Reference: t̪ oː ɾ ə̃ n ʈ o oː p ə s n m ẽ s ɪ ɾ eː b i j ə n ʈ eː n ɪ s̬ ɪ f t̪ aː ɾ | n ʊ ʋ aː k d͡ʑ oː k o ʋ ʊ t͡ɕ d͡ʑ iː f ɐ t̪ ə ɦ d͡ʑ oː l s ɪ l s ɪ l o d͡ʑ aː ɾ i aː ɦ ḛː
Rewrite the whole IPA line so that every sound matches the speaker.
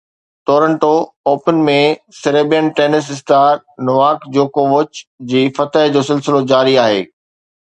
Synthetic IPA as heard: t̪ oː ɾ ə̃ ɳ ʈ o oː p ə n m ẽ s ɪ ɾ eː b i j ə n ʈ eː n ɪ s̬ ɪ s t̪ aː ɾ | n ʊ ʋ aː k d͡ʑ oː k o ʋ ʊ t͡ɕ d͡ʑ iː f ɐ t̪ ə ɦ d͡ʑ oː s ɪ l s ɪ l o d͡ʑ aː ɾ i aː ɦ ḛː